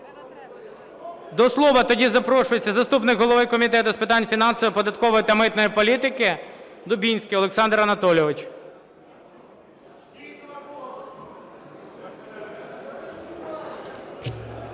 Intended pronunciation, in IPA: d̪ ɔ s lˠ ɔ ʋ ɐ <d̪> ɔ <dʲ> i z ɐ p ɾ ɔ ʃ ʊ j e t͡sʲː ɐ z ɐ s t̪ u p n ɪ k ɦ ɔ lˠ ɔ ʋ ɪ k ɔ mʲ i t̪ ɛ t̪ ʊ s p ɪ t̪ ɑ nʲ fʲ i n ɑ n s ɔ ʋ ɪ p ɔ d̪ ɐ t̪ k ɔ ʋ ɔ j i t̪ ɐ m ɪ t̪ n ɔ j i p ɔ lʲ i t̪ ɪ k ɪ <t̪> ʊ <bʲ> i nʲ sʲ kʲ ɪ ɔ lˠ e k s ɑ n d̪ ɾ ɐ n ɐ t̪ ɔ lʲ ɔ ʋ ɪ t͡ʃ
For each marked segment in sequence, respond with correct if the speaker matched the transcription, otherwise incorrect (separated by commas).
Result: incorrect, correct, incorrect, correct